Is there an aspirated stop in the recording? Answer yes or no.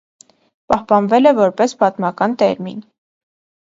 no